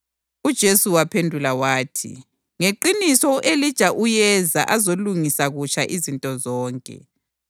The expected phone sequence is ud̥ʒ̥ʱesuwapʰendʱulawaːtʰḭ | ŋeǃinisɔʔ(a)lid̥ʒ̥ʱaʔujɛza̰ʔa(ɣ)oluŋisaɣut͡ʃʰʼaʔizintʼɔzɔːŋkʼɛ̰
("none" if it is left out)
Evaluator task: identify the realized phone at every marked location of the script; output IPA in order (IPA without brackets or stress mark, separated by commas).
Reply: e, z